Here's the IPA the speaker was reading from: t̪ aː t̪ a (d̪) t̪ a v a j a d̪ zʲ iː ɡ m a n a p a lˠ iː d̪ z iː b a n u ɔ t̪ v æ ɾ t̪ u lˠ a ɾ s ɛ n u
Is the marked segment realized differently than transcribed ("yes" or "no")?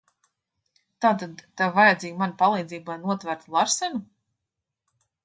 no